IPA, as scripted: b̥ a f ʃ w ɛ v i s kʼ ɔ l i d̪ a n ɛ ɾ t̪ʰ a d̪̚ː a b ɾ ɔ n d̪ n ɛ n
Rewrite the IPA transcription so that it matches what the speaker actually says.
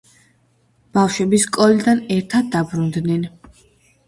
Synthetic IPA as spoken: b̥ a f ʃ w ɛ b i s kʼ ɔ l i d̪ a n ɛ ɾ t̪ʰ a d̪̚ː a b ɾ u n d̪ n ɛ n